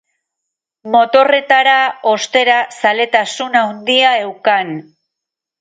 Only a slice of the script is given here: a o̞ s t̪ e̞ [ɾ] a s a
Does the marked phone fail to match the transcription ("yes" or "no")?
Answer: no